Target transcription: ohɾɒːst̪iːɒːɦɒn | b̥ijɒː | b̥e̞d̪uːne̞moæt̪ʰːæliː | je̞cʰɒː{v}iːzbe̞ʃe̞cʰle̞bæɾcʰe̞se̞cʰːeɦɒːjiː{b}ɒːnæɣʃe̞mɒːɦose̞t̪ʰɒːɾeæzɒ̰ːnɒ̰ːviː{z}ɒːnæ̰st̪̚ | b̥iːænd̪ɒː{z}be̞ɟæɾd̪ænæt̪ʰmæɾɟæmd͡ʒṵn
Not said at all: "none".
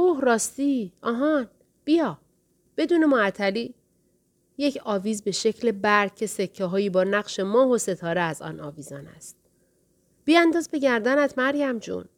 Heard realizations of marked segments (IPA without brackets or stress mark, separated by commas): v, b, z, z